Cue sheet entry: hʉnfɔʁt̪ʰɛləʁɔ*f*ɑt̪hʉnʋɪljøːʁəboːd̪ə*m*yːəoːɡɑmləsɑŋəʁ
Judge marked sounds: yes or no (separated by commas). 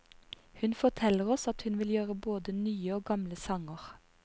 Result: no, no